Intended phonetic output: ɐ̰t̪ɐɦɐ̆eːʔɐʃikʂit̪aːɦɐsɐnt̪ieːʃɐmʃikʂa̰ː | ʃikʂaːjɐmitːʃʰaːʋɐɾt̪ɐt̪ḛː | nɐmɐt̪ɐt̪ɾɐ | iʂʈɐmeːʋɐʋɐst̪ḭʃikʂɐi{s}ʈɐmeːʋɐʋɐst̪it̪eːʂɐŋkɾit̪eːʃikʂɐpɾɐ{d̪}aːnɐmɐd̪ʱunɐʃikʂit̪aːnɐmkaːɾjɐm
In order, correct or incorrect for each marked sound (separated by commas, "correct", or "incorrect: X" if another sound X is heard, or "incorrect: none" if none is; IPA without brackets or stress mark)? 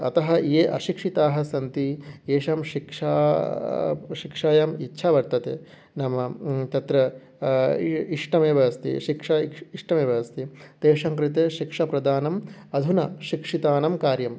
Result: incorrect: ʂ, correct